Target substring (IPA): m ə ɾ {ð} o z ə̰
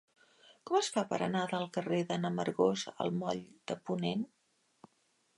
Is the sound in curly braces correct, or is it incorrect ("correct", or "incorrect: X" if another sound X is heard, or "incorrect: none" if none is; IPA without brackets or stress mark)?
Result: incorrect: ɣ